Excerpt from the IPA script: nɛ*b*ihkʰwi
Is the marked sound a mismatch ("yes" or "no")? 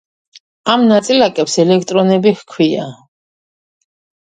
no